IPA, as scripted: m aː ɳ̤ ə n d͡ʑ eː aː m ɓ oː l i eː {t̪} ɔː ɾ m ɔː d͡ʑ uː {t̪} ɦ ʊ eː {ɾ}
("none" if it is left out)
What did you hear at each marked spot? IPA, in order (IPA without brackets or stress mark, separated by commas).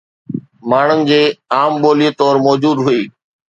t̪, d̪, none